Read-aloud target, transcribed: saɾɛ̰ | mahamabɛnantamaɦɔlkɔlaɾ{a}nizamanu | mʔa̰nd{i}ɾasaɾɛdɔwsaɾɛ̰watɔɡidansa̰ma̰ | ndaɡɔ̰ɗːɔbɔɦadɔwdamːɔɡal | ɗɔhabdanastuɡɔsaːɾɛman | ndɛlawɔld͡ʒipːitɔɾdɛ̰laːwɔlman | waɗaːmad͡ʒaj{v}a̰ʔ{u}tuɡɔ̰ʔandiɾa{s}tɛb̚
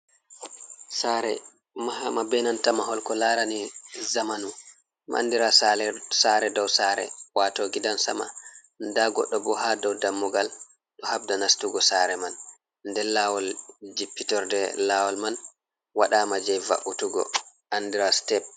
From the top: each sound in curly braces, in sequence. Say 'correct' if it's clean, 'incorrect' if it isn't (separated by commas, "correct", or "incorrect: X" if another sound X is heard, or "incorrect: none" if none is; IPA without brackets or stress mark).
correct, correct, correct, correct, correct